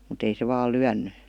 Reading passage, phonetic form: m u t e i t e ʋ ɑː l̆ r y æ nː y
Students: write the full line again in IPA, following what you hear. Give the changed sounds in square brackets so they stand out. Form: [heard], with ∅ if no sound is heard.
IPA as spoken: m u t e i [s] e ʋ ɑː l̆ [l] y æ nː y